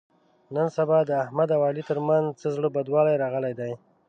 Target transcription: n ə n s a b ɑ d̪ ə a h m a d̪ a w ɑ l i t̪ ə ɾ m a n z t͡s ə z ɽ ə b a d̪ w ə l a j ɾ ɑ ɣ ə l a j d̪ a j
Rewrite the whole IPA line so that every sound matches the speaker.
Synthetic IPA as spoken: n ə n s a b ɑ d̪ ə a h m a d̪ a w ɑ l i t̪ ə ɾ m a n z t͡s ə z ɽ ə b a d̪ w ɑ l a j ɾ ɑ ɣ ə l a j d̪ a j